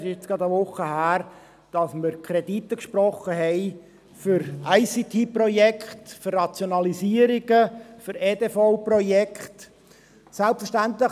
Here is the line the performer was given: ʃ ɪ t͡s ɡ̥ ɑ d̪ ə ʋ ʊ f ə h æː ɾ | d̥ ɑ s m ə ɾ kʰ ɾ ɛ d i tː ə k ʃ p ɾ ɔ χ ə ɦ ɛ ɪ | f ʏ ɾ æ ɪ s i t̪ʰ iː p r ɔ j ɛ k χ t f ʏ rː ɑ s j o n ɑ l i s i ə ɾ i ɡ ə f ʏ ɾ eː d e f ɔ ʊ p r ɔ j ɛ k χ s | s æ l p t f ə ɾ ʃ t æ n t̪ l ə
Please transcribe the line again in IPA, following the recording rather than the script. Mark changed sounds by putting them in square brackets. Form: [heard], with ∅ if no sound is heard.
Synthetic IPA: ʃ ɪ t͡s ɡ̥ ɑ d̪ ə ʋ ʊ [χ] ə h æː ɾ | d̥ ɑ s m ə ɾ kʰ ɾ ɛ d i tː ə k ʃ p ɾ ɔ χ ə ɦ ɛ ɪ | f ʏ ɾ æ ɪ s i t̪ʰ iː p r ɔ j ɛ k χ t f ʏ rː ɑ [t͡s] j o n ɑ l i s i ə ɾ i ɡ ə f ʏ ɾ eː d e f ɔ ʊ p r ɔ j ɛ k χ [t] | s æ l p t f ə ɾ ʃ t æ n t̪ l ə